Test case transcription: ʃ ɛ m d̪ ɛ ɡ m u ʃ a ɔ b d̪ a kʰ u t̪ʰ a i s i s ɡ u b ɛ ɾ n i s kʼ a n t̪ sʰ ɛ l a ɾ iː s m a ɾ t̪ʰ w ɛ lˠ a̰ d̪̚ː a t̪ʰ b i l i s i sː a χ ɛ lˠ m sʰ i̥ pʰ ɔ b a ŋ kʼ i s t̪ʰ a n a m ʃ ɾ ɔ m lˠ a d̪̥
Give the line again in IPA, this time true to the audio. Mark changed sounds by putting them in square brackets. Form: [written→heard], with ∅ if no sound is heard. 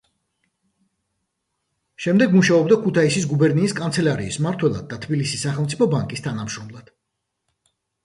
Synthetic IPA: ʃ ɛ m d̪ ɛ ɡ m u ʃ a ɔ b d̪ a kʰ u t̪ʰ a i s i s ɡ u b ɛ ɾ n [i→iː] s kʼ a n t̪ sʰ ɛ l a ɾ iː s m a ɾ t̪ʰ w ɛ lˠ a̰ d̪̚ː a t̪ʰ b i l i s i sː a χ ɛ lˠ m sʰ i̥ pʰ ɔ b a ŋ kʼ i s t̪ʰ a n a m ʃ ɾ ɔ m lˠ a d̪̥